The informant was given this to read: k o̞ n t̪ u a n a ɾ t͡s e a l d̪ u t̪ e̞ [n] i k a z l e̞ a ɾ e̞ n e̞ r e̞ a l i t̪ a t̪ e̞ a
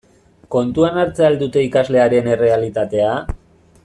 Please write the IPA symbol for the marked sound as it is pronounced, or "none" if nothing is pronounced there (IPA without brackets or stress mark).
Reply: none